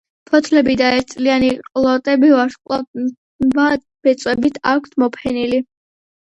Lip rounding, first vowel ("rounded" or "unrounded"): rounded